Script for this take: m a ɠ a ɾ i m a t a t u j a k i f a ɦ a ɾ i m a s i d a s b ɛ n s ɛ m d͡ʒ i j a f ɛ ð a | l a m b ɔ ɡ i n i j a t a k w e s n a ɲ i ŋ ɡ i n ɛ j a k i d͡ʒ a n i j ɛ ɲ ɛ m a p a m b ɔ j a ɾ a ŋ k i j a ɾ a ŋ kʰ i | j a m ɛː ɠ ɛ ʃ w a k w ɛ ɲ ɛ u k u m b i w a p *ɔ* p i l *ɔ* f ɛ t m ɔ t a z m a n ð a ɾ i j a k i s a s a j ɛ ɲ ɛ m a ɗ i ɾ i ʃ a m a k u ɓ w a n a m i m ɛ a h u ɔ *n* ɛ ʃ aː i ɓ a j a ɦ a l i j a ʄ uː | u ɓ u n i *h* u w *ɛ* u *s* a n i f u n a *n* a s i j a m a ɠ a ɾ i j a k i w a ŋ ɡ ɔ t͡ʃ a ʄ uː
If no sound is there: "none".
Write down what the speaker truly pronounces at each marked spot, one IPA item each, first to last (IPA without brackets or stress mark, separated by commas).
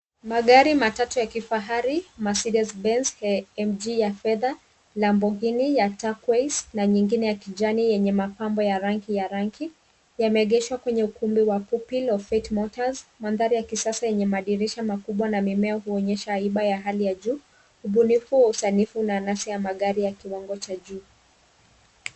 u, ɔ, ɲ, f, a, s, n